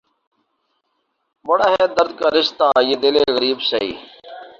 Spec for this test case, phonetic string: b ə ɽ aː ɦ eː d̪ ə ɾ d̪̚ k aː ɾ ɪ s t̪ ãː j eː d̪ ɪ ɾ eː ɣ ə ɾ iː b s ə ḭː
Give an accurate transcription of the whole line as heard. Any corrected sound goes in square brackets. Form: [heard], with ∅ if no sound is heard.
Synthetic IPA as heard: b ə ɽ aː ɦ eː d̪ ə ɾ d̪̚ k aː ɾ ɪ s t̪ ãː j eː d̪ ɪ [l] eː ɣ ə ɾ iː b s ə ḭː

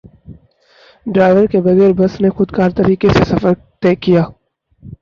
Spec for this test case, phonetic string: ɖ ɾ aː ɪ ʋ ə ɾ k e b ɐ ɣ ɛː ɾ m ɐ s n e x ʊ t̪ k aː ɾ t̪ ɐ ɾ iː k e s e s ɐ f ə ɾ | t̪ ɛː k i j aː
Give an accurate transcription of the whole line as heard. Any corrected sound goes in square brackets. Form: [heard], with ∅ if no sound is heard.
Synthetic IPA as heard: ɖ ɾ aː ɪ ʋ ə ɾ k e b ɐ ɣ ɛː ɾ [b] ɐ s n e x ʊ [d̪] k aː ɾ t̪ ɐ ɾ iː k e s e s ɐ f ə ɾ | t̪ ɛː k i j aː

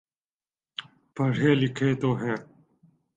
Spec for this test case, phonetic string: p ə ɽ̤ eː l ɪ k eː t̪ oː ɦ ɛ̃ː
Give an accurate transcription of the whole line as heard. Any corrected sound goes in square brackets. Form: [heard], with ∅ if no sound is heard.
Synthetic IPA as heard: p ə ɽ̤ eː l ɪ [kʰ] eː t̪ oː ɦ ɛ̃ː

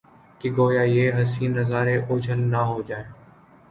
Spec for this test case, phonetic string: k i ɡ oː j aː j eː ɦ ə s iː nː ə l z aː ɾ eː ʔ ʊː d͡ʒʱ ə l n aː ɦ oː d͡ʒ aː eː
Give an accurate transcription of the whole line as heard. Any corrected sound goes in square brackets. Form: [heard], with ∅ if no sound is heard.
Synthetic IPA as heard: k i ɡ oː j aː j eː ɦ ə s iː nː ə [∅] z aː ɾ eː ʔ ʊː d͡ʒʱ ə l n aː ɦ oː d͡ʒ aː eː

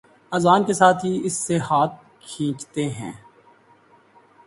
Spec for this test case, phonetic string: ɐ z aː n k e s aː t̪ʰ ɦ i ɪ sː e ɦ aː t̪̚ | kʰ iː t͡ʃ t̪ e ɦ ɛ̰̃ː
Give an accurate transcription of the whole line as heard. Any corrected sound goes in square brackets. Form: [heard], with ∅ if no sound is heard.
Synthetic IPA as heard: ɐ z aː n k e s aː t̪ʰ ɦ i ɪ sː e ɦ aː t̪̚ | kʰ [ĩː] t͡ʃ t̪ e ɦ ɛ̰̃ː

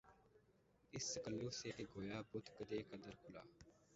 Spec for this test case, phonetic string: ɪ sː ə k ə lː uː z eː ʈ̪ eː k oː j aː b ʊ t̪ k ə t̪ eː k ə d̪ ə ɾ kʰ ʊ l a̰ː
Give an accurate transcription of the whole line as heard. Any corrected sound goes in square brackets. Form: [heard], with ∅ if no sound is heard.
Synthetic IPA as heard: ɪ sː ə k ə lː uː [s] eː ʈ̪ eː [ɡ] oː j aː b ʊ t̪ k ə [d̪] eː k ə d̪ ə ɾ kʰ ʊ l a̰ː

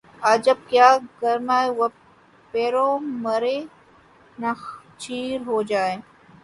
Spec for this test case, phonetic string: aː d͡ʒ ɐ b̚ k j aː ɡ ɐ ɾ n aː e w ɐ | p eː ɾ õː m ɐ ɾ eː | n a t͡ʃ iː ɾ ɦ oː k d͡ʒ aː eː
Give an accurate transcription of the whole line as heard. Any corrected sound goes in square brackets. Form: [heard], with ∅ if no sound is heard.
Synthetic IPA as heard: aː d͡ʒ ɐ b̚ k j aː ɡ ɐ ɾ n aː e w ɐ | p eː ɾ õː m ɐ ɾ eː | n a t͡ʃ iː ɾ ɦ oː [∅] d͡ʒ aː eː

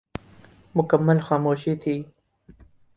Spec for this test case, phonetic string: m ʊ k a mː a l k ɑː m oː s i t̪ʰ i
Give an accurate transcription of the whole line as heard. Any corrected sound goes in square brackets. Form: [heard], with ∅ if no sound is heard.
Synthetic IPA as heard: m ʊ k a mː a l [x] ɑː m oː [ʃ] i t̪ʰ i

